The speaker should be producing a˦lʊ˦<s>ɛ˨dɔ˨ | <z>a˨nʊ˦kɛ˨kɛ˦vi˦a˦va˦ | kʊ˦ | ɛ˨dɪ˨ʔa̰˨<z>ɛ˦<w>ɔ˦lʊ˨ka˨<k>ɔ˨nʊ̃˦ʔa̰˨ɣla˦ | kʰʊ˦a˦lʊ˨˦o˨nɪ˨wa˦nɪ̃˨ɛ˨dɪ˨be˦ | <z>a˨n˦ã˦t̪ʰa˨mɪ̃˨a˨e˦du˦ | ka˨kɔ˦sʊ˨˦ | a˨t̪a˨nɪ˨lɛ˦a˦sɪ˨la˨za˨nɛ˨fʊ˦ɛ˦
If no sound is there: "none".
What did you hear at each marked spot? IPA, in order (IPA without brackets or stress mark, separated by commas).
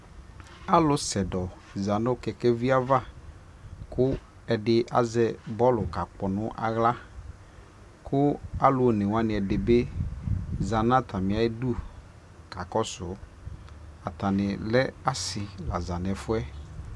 s, z, z, b, k͡p, z